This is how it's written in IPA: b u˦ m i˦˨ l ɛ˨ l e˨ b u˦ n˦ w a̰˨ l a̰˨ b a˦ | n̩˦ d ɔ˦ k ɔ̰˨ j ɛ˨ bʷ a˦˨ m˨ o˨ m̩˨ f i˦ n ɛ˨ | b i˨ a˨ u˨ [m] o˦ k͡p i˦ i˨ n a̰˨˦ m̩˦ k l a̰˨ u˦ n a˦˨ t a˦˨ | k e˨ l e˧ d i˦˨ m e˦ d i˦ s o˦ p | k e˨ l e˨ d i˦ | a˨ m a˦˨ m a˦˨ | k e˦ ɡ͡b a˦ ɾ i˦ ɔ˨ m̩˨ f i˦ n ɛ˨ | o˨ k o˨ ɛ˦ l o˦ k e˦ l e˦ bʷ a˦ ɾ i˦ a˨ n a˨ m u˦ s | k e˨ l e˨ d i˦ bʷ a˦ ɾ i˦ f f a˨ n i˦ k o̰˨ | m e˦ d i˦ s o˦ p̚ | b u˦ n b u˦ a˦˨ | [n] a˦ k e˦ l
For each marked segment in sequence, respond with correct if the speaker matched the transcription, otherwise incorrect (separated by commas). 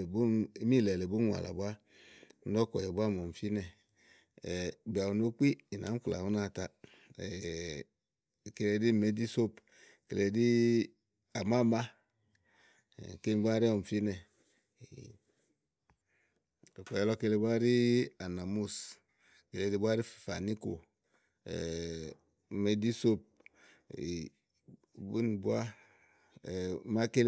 incorrect, incorrect